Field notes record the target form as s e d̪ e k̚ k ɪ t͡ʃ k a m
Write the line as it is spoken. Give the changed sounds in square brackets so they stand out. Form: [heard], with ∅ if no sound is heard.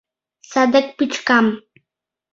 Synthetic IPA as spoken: s [a] d̪ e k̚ [p] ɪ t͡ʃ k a m